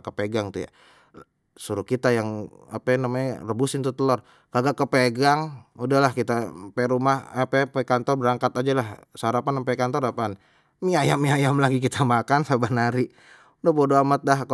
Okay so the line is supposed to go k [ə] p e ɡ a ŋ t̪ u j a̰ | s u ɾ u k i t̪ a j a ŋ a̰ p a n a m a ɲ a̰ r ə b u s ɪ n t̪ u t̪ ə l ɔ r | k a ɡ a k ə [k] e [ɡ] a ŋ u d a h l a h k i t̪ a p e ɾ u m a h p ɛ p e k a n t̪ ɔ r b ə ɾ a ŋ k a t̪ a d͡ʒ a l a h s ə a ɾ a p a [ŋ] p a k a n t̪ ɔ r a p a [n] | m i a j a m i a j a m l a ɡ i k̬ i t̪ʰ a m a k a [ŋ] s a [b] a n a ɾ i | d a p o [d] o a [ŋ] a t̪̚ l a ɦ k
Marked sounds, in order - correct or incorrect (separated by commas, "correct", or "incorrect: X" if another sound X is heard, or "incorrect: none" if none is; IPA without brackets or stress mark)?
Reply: correct, incorrect: p, correct, incorrect: n, correct, incorrect: n, correct, correct, incorrect: m